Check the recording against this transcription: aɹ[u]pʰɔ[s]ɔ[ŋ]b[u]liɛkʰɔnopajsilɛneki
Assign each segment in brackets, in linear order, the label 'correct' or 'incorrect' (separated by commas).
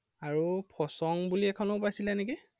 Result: correct, correct, correct, correct